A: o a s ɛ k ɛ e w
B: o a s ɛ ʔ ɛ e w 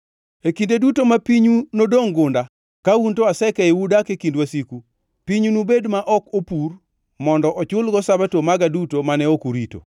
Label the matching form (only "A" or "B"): A